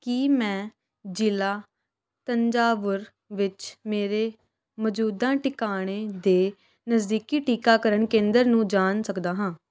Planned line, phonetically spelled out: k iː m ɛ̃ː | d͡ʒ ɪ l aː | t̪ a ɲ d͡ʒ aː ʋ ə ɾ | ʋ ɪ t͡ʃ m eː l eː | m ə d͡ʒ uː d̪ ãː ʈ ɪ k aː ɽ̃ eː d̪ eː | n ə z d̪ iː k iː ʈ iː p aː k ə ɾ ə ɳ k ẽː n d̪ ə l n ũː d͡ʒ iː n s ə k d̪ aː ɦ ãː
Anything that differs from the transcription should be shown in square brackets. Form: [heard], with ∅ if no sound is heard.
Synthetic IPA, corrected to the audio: k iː m ɛ̃ː | d͡ʒ ɪ l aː | t̪ [ə] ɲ d͡ʒ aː ʋ ə ɾ | ʋ ɪ t͡ʃ m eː [ɾ] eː | m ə d͡ʒ uː d̪ ãː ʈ ɪ k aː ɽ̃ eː d̪ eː | n ə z d̪ iː k iː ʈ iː [k] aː k ə ɾ ə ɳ k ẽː n d̪ ə [ɾ] n ũː d͡ʒ [aː] n s ə k d̪ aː ɦ ãː